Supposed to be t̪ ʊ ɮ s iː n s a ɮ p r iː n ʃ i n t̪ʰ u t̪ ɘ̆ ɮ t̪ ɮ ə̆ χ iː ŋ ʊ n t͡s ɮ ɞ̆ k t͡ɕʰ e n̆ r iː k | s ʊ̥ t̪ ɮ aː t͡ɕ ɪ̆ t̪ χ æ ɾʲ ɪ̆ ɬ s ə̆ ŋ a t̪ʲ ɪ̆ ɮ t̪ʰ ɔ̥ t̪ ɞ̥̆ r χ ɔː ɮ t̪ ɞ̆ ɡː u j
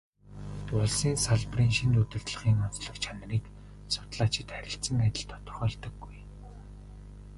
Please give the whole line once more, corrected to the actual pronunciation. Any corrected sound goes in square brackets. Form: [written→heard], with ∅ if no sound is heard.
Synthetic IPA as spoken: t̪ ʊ ɮ s iː n s a ɮ p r iː n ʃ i n [t̪ʰ→t̪] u t̪ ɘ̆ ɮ t̪ ɮ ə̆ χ iː ŋ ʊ n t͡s ɮ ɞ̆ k t͡ɕʰ [e→a] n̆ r iː k | s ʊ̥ t̪ ɮ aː t͡ɕ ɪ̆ t̪ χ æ ɾʲ ɪ̆ ɬ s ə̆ ŋ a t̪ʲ ɪ̆ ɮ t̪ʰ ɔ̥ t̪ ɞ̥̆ r χ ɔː ɮ t̪ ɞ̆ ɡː u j